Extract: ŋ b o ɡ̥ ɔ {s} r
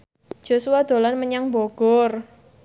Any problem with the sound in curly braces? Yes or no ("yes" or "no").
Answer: yes